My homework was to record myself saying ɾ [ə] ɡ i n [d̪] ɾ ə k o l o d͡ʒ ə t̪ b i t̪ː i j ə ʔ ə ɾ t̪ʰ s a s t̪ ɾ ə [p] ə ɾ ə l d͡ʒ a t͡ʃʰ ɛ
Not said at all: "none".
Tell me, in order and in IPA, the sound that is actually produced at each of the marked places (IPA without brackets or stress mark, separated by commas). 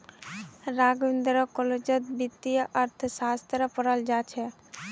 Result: a, d̪, p